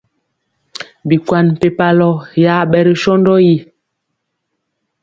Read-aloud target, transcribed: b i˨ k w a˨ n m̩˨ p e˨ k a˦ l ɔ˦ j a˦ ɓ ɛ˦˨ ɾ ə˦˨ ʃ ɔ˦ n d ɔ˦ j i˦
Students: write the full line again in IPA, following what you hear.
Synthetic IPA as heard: b i˨ k w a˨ n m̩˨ p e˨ p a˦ l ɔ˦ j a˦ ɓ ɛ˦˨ ɾ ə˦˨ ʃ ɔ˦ n d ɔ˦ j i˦

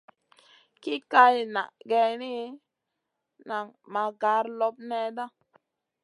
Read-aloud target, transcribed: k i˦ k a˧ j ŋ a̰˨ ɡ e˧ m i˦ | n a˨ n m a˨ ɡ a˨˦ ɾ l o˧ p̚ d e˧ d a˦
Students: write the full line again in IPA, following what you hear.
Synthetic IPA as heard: k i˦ k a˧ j n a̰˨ ɡ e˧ n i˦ | n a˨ ŋ m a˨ ɡ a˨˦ ɾ l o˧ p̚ n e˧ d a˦

